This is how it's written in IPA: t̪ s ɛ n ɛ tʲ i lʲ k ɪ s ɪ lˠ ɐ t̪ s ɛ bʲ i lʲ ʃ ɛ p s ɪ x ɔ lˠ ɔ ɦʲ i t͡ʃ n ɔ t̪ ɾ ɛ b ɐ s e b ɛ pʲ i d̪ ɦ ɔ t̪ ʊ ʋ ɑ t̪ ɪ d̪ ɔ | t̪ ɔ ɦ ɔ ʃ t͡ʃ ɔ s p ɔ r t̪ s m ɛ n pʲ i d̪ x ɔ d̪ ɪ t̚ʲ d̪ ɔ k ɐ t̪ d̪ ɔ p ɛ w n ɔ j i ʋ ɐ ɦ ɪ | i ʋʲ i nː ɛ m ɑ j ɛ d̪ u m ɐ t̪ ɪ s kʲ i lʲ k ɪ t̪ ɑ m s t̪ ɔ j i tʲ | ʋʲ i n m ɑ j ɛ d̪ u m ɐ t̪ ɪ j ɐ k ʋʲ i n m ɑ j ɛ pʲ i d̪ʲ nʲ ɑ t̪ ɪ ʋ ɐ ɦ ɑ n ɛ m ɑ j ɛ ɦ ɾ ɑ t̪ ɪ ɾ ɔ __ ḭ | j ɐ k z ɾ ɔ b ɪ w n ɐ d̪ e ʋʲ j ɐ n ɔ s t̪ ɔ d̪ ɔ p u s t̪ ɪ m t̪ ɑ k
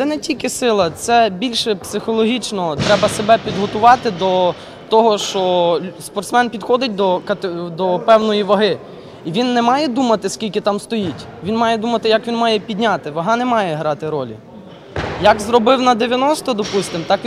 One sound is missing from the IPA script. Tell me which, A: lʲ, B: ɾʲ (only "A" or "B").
A